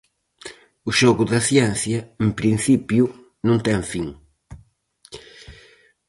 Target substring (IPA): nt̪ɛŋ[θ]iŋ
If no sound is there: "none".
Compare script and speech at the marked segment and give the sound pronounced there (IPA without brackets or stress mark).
f